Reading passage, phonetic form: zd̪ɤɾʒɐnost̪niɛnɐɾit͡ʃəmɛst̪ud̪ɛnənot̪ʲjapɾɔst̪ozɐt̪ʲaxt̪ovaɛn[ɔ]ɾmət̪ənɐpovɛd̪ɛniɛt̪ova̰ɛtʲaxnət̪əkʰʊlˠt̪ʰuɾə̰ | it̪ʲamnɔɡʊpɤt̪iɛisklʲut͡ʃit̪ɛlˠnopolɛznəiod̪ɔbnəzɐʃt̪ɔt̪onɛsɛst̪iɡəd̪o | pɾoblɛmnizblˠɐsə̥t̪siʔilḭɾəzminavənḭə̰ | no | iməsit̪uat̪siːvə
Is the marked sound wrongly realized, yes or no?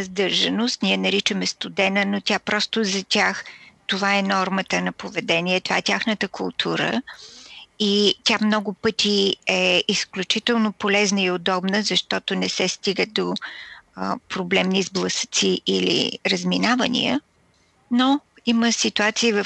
no